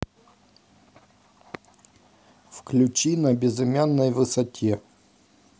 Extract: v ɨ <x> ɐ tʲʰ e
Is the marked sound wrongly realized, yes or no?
yes